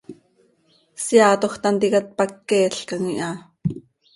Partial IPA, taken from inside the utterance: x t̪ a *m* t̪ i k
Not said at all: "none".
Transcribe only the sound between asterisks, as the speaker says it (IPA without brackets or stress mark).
n